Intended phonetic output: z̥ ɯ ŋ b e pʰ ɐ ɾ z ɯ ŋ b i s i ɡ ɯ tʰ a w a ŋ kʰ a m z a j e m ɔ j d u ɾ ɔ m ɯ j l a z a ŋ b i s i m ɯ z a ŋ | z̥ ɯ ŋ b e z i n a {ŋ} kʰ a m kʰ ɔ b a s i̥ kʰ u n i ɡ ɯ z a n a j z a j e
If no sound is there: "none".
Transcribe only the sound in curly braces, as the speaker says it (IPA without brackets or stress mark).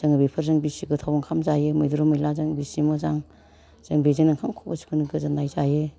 ŋ